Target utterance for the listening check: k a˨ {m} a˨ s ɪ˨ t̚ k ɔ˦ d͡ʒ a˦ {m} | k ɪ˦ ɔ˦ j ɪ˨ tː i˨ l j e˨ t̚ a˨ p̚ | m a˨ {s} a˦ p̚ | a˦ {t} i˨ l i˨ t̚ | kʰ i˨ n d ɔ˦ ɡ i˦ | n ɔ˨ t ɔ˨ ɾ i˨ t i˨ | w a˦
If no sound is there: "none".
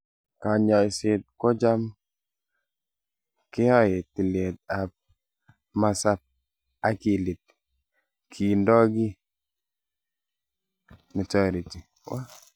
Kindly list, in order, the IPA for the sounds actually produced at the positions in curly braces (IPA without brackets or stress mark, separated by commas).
ɲ, m, s, k